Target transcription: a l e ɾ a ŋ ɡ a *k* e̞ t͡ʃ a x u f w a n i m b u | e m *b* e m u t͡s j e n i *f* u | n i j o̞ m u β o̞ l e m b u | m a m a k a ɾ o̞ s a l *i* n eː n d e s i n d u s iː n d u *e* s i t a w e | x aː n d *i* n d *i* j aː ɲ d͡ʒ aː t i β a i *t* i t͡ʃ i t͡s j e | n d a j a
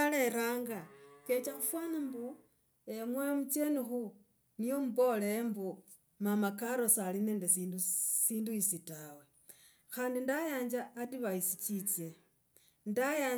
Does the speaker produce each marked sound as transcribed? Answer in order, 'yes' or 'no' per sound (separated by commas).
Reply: yes, no, no, yes, no, yes, no, no